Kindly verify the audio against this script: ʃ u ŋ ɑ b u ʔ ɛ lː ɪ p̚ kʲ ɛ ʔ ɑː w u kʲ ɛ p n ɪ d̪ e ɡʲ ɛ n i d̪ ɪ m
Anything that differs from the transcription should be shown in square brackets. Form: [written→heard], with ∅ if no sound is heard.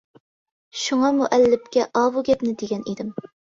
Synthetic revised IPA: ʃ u ŋ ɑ [b→m] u ʔ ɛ lː ɪ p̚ kʲ ɛ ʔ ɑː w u [kʲ→ɡʲ] ɛ p n ɪ d̪ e ɡʲ ɛ n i d̪ ɪ m